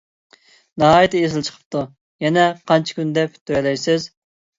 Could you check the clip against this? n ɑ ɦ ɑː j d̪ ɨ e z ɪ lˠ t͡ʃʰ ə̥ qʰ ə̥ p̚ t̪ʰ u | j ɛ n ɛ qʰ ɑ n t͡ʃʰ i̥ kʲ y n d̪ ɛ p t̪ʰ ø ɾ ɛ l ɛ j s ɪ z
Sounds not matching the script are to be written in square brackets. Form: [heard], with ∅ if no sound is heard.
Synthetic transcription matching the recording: n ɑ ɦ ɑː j [t̪] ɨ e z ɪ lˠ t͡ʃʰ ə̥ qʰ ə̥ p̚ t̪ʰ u | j ɛ n ɛ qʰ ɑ n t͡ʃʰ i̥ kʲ y n d̪ ɛ p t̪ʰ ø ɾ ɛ l ɛ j s ɪ z